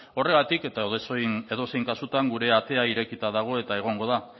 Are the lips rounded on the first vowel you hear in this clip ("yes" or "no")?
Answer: yes